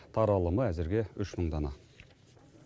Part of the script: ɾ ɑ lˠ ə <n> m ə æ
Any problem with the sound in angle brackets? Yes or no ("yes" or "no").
yes